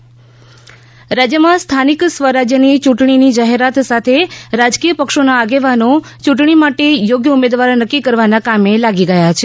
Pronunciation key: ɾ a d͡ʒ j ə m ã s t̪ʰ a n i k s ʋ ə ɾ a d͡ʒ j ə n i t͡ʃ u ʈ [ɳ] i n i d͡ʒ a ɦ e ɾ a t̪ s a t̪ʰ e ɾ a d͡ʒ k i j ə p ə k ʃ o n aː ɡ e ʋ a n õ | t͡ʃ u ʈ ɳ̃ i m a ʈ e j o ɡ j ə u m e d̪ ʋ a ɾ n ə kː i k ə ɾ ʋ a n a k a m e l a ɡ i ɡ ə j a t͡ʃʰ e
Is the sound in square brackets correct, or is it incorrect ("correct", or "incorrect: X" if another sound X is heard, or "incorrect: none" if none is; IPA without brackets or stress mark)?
correct